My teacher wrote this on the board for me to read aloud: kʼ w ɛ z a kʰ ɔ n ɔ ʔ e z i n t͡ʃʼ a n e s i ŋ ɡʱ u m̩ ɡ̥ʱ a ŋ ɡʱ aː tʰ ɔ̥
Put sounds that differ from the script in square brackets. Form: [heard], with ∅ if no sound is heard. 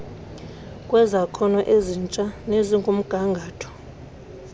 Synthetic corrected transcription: kʼ w ɛ z a kʰ ɔ n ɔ ʔ e z i n t͡ʃʼ a n e [z] i ŋ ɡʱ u m̩ ɡ̥ʱ a ŋ ɡʱ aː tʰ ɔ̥

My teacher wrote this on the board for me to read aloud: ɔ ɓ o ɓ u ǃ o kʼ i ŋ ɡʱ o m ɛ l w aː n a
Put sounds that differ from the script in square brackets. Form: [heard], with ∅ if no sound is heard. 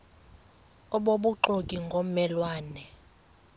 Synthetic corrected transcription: ɔ ɓ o ɓ u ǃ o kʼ i ŋ ɡʱ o m ɛ l w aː n [ɛ]

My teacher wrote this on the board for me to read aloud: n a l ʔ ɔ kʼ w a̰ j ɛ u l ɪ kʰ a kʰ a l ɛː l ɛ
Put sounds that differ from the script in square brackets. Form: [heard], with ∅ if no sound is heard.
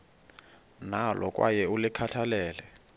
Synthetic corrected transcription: n a l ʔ ɔ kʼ w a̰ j ɛ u l ɪ kʰ a [tʰ] a l ɛː l ɛ

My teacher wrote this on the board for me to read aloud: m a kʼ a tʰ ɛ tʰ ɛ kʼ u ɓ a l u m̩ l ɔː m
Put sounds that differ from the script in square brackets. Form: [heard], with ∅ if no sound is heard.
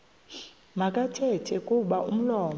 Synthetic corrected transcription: m a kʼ a tʰ ɛ tʰ ɛ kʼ u ɓ a [∅] u m̩ l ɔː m

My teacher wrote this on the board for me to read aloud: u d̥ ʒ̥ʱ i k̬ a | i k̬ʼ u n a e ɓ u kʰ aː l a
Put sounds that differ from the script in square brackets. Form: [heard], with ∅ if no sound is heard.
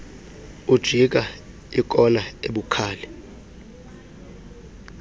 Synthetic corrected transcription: u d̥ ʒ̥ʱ i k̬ a | i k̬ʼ [ɔ] n a e ɓ u kʰ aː l [ɛ]

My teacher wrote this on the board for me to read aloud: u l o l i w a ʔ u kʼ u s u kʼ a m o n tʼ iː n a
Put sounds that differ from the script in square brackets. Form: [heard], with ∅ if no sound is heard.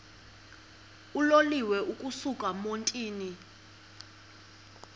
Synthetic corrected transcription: u l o l i w [ɛ] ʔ u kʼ u s u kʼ a m o n tʼ iː n [i]

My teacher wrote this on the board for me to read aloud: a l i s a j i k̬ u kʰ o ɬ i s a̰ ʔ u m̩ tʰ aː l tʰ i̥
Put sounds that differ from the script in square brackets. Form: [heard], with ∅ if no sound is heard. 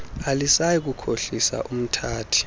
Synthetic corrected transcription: a l i s a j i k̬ u kʰ o ɬ i s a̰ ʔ u m̩ tʰ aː [∅] tʰ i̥

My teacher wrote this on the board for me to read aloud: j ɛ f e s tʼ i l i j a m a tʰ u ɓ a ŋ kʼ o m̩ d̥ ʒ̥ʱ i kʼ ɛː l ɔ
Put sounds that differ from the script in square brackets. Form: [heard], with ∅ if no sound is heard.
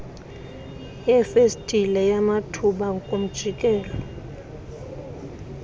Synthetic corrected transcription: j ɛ f e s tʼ i l [ɛ] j a m a tʰ u ɓ a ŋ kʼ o m̩ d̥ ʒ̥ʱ i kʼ ɛː l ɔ

